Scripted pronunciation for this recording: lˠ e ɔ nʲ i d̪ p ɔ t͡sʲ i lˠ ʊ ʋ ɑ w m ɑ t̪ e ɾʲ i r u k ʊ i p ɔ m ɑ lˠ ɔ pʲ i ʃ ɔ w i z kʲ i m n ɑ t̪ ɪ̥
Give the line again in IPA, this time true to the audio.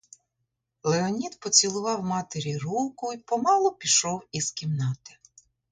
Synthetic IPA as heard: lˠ e ɔ nʲ i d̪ p ɔ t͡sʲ i lˠ ʊ ʋ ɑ w m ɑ t̪ e ɾʲ i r u k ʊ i p ɔ m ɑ lˠ ɔ pʲ i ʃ ɔ w i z kʲ i m n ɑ t̪ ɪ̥